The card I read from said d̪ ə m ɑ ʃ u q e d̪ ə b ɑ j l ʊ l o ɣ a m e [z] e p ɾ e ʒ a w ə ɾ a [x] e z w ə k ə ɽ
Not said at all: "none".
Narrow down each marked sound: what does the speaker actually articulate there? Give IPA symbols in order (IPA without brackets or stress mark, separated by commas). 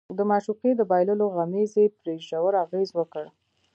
z, ɣ